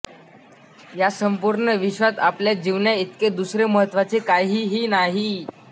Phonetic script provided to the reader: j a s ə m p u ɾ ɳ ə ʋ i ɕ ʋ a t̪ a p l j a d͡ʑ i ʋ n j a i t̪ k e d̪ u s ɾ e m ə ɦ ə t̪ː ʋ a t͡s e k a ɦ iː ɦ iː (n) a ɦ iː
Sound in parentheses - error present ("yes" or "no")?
no